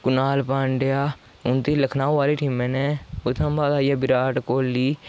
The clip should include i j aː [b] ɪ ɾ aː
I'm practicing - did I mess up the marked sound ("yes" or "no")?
no